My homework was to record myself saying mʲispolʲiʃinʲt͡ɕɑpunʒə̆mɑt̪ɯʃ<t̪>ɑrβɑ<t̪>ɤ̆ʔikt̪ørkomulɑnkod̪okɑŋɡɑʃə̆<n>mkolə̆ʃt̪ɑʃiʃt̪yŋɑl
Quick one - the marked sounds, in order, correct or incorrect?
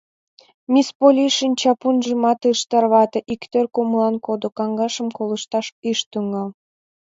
correct, correct, incorrect: none

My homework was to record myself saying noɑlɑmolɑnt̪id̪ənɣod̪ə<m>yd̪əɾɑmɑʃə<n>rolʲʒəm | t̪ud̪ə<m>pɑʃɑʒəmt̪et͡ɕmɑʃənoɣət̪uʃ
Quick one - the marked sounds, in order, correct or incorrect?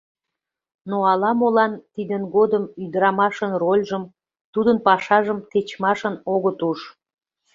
correct, correct, incorrect: n

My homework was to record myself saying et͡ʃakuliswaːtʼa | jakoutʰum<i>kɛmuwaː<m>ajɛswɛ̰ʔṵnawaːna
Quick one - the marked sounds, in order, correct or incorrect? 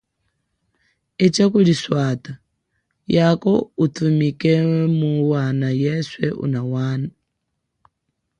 correct, incorrect: n

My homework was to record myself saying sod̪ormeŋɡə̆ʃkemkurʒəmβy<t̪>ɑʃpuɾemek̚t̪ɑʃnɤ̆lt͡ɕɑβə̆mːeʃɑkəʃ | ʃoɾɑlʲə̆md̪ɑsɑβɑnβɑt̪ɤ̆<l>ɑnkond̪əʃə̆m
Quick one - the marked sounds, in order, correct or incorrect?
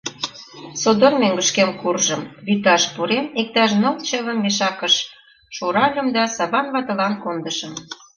correct, correct

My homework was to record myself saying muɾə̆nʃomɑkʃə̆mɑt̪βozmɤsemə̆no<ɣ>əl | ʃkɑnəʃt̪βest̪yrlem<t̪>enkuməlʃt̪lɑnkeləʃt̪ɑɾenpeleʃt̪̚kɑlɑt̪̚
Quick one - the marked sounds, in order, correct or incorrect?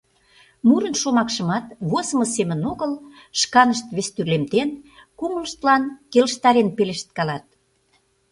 correct, correct

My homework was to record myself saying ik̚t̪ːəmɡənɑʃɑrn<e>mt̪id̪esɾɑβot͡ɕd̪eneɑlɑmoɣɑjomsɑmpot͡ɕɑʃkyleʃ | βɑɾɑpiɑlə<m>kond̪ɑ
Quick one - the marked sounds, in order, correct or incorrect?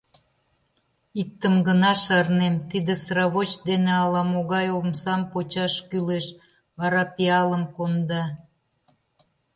correct, correct

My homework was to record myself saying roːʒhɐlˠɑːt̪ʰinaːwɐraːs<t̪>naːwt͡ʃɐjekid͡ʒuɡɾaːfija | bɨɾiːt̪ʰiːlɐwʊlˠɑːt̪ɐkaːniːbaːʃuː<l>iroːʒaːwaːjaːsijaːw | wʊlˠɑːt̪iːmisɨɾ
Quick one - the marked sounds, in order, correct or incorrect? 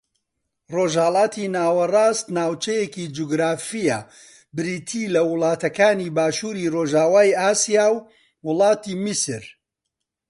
correct, incorrect: ɾ

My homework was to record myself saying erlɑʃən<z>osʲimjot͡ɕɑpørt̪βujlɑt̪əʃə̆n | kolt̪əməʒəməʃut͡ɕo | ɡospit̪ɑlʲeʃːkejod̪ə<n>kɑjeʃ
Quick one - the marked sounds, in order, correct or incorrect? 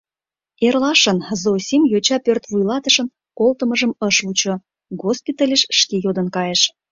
correct, correct

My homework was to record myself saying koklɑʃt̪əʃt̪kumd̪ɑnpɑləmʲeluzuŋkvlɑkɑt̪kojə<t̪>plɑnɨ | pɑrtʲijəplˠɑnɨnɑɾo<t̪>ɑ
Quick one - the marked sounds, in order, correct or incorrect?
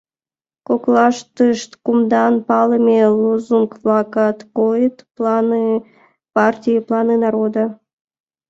correct, incorrect: d̪

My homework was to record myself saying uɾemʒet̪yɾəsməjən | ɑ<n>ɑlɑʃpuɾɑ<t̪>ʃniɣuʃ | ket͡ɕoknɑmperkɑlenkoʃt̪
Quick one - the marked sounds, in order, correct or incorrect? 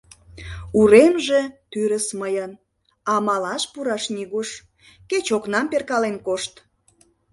incorrect: m, incorrect: none

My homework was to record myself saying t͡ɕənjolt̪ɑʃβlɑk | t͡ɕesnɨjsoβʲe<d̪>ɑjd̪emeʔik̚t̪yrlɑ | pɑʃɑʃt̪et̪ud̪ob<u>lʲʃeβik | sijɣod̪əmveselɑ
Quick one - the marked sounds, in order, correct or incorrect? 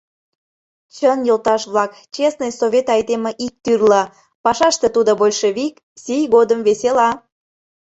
incorrect: t̪, incorrect: o

